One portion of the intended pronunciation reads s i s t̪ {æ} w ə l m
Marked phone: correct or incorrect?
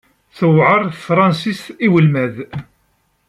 incorrect